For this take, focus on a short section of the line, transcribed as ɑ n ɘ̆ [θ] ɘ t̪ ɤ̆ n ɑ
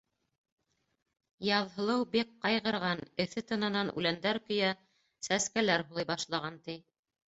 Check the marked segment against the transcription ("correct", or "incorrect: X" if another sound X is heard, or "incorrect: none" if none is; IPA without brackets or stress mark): correct